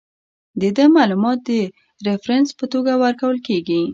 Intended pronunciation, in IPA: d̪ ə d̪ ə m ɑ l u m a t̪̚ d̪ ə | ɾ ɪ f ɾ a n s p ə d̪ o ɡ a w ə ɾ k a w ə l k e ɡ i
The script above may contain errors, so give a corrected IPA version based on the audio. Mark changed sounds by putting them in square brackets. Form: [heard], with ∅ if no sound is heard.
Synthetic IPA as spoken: d̪ ə d̪ ə m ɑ l u m [ɑ] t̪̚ d̪ ə | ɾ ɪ f ɾ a n s p ə [t̪] o ɡ a w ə ɾ k a w ə l k e ɡ i